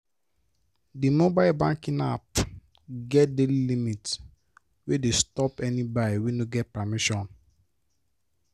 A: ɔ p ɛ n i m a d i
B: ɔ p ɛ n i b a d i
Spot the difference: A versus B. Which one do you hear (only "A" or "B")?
B